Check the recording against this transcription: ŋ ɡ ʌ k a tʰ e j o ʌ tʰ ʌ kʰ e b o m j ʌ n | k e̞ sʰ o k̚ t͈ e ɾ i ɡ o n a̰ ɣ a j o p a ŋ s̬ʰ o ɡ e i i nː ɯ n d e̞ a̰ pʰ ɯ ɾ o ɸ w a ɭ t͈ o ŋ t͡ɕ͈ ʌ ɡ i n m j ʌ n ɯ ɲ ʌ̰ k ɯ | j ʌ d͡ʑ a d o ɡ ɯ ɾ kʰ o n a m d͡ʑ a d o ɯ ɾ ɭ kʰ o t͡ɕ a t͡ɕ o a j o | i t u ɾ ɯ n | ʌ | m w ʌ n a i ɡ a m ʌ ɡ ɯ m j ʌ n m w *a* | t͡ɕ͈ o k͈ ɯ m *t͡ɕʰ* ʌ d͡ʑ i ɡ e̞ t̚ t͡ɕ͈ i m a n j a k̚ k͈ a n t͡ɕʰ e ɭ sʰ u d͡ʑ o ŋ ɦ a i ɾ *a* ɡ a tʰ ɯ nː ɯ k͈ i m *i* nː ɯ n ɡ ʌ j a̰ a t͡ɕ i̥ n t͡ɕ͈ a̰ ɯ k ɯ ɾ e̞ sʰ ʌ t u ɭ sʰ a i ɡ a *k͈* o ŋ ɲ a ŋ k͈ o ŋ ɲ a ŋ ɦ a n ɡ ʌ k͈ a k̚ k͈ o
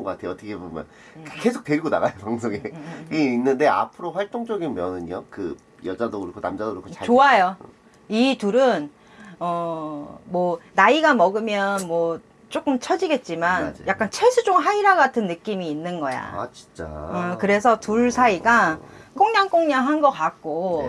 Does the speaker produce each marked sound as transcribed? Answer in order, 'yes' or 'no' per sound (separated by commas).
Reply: no, yes, yes, no, yes